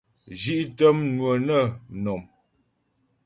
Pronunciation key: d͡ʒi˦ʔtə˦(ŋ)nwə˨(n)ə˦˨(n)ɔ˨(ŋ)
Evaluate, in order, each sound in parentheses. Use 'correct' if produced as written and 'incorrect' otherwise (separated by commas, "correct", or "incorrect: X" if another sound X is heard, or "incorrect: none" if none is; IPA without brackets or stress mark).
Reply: incorrect: m, correct, correct, incorrect: m